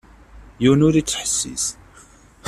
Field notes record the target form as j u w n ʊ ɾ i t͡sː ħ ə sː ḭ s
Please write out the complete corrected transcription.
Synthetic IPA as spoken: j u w n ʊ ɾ i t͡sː ħ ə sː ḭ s

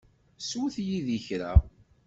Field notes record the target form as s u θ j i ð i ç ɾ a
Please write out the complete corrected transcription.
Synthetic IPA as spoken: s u θ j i ð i ç ɾ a

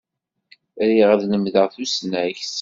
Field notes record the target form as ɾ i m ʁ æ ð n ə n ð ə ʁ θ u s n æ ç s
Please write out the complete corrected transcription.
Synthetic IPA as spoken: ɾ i ʁ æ ð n ə m ð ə ʁ θ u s n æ ç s

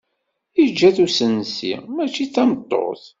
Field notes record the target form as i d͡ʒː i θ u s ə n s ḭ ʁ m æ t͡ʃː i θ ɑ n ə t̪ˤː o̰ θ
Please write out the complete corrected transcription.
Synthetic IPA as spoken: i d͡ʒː æ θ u s ə n s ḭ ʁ m æ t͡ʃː i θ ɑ m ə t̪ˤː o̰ θ

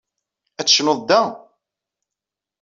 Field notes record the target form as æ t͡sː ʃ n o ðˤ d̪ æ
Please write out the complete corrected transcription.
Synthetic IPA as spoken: æ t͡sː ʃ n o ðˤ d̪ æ

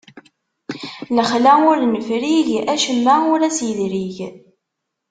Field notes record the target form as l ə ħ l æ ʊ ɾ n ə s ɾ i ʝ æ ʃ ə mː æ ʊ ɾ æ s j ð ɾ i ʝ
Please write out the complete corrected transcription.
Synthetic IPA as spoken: l ə χ l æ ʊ ɾ n ə f ɾ i ʝ æ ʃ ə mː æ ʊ ɾ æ s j ð ɾ i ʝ

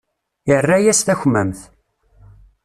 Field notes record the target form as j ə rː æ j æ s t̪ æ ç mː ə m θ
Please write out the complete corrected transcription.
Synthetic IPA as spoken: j ə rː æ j æ s t̪ æ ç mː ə m θ

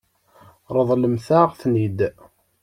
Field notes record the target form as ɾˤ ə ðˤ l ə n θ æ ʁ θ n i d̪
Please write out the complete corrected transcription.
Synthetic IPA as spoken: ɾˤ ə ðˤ l ə m θ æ ʁ θ n i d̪

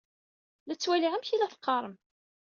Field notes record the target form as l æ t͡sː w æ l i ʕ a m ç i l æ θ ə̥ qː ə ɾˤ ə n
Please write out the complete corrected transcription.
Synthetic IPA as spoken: l æ t͡sː w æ l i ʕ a m ç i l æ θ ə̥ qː ɑ ɾˤ ə m

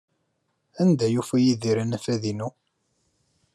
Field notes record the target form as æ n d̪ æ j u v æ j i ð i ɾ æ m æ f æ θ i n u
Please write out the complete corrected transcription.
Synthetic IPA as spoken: æ n d̪ æ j u f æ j i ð i ɾ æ n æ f æ ð i n u

